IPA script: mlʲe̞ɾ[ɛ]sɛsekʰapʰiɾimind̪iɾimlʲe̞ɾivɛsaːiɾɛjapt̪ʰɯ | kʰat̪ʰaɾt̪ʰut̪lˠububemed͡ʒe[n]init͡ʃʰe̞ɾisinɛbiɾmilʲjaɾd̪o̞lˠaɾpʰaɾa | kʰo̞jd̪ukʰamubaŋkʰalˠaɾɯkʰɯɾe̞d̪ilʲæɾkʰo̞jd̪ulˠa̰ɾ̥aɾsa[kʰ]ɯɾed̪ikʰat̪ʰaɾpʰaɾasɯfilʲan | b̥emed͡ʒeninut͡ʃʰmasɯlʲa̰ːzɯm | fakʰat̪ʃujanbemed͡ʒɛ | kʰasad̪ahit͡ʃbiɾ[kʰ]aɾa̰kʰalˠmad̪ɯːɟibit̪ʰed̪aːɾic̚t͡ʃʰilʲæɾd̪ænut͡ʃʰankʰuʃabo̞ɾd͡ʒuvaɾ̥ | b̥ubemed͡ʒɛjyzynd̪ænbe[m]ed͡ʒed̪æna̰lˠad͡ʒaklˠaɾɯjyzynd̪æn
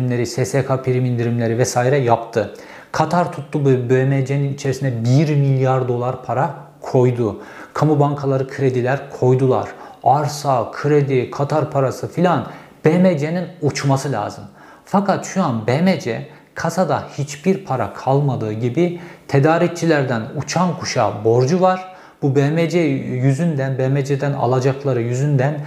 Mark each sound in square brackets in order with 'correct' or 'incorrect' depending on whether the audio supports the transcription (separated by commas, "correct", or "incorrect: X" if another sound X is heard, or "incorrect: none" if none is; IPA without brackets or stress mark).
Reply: incorrect: i, correct, correct, incorrect: pʰ, correct